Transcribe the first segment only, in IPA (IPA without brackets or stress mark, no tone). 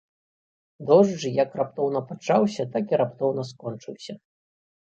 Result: d̪